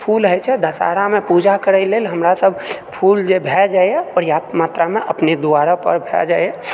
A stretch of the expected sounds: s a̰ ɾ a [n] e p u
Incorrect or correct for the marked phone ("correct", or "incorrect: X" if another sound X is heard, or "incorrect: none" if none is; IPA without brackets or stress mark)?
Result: incorrect: m